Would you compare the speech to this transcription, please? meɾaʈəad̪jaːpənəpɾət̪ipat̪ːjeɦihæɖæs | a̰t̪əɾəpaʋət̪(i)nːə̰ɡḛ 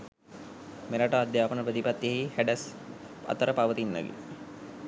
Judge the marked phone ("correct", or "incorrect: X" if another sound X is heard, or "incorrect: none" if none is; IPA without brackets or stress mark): correct